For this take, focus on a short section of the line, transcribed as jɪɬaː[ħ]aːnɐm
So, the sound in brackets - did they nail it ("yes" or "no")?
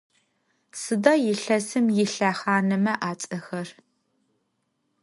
no